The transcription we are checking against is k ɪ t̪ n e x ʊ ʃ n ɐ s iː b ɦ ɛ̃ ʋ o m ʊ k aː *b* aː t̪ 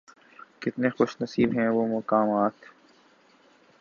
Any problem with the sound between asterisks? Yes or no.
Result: yes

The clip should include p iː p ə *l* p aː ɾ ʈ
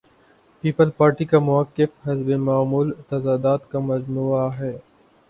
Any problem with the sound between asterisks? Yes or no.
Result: no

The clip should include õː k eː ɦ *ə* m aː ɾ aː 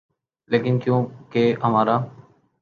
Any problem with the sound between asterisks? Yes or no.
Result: no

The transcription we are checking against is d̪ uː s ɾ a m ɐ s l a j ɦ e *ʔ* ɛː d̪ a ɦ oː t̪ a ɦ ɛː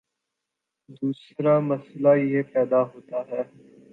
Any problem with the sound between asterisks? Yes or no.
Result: yes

